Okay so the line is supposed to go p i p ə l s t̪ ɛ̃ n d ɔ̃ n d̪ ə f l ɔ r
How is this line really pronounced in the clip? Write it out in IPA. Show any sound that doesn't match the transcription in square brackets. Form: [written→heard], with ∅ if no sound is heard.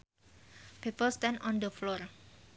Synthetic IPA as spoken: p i p ə l s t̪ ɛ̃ n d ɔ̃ n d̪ ə f l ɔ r